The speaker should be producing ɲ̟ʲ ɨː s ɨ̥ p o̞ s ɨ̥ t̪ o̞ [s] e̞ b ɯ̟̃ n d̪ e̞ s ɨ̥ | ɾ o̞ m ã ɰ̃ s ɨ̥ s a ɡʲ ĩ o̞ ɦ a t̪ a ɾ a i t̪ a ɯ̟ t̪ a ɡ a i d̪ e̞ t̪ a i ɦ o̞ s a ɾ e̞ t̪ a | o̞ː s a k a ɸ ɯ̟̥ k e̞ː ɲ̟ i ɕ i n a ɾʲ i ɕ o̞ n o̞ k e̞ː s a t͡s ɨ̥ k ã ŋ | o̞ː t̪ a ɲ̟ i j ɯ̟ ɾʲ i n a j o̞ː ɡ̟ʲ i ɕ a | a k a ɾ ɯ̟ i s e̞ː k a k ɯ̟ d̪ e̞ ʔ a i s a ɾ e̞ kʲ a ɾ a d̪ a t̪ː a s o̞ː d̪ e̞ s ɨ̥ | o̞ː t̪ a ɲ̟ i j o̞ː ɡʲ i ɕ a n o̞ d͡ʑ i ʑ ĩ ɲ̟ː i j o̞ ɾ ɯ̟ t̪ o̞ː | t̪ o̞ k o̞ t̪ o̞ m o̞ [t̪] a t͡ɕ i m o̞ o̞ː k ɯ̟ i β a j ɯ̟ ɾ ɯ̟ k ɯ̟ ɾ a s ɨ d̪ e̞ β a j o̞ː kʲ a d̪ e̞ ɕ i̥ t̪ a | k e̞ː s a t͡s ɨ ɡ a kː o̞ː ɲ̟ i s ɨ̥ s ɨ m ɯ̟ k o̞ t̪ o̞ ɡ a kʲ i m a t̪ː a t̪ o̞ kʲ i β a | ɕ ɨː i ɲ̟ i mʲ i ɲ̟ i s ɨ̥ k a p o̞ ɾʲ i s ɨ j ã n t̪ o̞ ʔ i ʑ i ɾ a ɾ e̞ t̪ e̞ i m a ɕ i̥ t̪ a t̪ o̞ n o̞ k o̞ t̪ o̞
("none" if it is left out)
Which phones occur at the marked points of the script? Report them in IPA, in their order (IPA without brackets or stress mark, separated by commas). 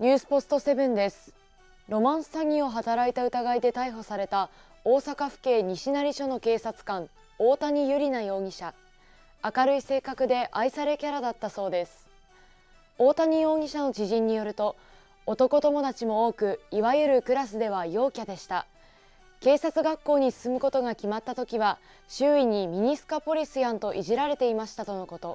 s, d̪